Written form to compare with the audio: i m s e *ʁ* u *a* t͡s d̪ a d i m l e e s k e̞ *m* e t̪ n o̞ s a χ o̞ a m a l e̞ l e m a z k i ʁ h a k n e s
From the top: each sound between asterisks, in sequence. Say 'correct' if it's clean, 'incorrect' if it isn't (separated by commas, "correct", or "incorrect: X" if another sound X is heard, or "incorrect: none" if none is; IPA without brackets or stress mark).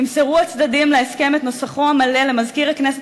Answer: correct, correct, correct